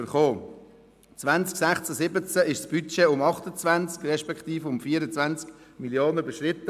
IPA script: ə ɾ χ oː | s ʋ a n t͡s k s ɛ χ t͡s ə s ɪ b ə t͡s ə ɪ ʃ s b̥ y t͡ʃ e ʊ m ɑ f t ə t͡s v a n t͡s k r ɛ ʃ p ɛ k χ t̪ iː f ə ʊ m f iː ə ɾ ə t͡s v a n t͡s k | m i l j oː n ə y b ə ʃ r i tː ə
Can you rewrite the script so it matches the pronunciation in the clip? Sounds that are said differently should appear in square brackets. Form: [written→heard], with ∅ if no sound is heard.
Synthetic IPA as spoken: ə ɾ χ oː | [s→t͡s] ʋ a n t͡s k s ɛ χ t͡s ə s ɪ b ə t͡s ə ɪ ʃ s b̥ y t͡ʃ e ʊ m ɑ [f→χ] t ə t͡s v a n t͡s k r ɛ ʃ p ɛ k χ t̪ iː f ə ʊ m f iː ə ɾ ə t͡s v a n t͡s k | m i l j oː n ə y b ə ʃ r [i→ɪ] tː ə